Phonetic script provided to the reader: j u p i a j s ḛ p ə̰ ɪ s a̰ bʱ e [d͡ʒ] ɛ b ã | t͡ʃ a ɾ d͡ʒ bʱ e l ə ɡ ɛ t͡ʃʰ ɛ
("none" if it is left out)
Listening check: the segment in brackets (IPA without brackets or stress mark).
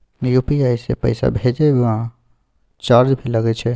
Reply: d͡ʒ